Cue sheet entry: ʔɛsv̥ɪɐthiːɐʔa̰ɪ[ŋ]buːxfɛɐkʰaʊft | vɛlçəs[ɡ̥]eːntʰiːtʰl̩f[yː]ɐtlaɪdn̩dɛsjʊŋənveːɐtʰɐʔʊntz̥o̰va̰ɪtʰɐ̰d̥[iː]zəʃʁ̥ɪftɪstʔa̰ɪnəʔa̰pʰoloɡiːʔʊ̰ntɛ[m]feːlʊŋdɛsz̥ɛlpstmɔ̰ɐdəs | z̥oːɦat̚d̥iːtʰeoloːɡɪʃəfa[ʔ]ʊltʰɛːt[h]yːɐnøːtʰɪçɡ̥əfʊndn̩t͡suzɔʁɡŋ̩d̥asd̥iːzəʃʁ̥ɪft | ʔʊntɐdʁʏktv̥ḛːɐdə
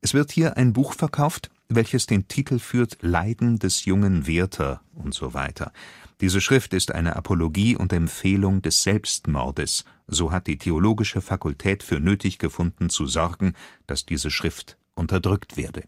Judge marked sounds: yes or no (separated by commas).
no, no, yes, yes, yes, no, no